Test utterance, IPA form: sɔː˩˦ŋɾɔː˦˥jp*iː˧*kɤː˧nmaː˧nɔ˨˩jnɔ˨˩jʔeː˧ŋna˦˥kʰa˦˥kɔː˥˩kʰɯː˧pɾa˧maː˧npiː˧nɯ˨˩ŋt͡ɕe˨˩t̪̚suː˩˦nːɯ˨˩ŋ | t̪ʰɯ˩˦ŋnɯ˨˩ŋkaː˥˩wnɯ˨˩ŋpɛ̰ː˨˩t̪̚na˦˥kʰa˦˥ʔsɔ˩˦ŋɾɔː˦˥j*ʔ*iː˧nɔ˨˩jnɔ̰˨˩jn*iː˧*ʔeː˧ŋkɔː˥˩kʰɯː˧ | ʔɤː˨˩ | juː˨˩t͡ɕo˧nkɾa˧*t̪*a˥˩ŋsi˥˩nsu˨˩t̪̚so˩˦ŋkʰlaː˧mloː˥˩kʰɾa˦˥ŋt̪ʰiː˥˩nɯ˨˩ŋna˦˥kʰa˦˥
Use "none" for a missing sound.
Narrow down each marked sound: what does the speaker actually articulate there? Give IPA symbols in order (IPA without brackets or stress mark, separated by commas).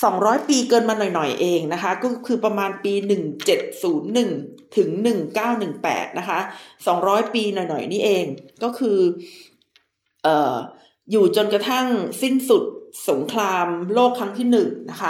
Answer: iː˧, p, iː˥˩, t̪ʰ